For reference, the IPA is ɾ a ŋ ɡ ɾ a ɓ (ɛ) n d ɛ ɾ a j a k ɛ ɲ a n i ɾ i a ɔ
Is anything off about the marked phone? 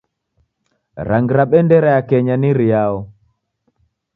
no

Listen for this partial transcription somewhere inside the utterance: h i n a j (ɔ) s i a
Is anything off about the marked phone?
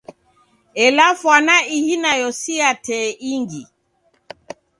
no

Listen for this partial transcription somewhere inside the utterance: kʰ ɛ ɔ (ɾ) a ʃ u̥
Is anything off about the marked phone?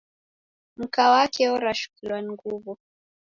no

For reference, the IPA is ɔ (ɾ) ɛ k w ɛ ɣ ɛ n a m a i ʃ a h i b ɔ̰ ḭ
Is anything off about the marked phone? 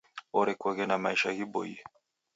no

